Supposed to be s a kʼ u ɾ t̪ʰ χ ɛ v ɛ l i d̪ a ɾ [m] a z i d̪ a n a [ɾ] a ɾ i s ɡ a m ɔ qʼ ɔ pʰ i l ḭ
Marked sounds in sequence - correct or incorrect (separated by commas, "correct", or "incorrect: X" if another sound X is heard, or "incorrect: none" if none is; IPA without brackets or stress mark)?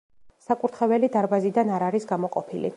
incorrect: b, correct